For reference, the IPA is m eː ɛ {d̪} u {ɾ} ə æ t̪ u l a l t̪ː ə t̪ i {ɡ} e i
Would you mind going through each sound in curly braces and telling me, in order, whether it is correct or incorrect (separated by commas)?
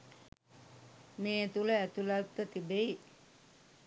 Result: incorrect, incorrect, incorrect